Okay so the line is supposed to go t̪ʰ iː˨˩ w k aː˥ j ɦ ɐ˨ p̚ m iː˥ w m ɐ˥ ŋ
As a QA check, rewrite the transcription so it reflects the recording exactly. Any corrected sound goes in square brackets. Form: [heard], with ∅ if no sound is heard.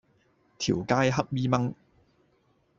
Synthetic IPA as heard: t̪ʰ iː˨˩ w k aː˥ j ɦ [ɐ˥] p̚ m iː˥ [∅] m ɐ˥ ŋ

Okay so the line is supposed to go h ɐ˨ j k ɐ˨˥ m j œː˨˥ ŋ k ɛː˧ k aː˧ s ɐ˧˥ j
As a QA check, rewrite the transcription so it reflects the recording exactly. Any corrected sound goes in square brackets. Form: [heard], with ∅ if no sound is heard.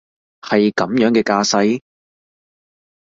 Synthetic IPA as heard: h ɐ˨ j k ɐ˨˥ m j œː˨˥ ŋ k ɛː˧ k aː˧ s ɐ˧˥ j

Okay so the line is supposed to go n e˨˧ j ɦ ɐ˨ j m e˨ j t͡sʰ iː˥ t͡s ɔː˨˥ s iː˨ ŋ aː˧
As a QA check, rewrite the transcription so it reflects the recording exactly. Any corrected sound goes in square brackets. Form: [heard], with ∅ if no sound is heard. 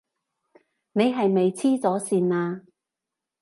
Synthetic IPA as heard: n e˨˧ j ɦ ɐ˨ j m e˨ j t͡sʰ iː˥ t͡s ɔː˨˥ s iː˨ [n] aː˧

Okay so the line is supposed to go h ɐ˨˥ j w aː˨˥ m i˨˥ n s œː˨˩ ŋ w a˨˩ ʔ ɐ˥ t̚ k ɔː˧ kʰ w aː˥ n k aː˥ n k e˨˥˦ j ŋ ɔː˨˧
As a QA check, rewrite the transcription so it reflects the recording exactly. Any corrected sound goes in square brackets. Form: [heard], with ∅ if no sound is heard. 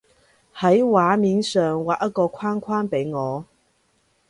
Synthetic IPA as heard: h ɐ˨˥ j w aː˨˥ m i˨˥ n s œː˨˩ ŋ w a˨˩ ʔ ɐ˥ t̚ k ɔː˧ kʰ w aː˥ n [kʰ] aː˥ n [p] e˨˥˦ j ŋ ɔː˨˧

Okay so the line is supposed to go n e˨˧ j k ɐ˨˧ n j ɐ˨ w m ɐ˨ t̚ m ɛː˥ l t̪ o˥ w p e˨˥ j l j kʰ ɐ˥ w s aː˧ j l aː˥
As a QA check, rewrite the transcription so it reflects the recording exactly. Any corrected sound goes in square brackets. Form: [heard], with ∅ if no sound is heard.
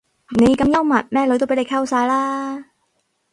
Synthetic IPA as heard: n e˨˧ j k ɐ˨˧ [m] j [ɐ˥] w m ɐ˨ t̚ m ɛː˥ l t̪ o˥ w p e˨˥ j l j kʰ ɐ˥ w s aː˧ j l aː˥

